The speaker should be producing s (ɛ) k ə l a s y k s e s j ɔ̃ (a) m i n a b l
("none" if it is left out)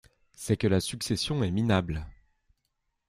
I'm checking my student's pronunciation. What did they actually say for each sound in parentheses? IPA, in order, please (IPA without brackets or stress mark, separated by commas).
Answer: ɛ, ɛ